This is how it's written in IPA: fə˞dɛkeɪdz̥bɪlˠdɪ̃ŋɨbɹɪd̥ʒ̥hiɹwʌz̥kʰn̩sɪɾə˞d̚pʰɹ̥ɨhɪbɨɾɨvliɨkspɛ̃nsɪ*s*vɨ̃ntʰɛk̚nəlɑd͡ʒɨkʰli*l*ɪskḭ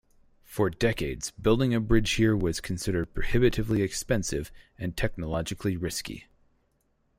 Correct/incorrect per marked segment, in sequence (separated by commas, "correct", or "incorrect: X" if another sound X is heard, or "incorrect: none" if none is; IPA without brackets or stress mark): incorrect: none, incorrect: ɹ